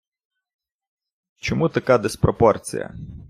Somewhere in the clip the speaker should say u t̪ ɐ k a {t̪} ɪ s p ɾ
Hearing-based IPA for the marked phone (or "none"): d̪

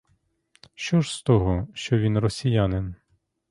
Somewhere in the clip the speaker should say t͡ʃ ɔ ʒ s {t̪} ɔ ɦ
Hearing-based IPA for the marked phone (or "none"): t̪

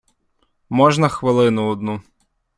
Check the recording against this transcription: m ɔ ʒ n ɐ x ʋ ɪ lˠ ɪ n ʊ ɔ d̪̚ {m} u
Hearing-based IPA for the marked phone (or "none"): n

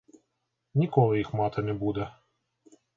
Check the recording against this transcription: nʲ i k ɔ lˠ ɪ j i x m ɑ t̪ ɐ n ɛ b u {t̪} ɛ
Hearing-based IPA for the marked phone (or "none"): d̪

